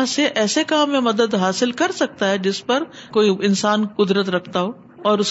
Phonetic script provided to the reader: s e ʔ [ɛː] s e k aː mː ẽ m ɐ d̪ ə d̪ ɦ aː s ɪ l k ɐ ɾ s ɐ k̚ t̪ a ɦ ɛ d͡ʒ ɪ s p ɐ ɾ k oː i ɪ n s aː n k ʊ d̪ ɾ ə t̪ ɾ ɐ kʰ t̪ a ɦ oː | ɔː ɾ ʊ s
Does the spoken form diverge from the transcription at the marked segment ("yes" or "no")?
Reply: no